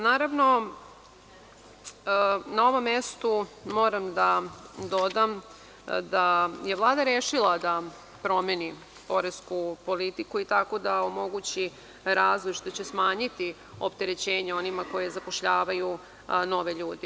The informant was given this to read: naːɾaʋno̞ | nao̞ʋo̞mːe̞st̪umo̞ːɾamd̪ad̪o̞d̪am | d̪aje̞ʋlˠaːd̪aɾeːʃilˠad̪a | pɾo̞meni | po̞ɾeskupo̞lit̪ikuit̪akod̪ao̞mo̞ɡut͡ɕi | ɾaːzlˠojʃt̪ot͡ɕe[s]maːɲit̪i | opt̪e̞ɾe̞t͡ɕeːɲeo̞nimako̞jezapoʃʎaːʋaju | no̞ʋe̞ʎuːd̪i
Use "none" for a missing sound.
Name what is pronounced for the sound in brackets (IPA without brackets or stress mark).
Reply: s